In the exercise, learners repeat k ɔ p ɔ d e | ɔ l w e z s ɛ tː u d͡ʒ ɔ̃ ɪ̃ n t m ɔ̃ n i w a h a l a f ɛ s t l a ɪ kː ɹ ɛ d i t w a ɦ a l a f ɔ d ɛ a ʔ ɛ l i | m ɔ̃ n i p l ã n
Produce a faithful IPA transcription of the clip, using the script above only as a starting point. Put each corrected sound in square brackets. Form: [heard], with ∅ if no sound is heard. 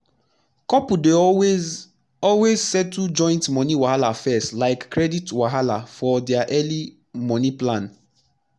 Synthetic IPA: k ɔ p [u] d e | ɔ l w e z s ɛ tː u d͡ʒ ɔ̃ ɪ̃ n t m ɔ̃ n i w a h a l a f ɛ s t l a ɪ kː ɹ ɛ d i t w a ɦ a l a f ɔ d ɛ a ʔ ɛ l i | m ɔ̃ n i p l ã n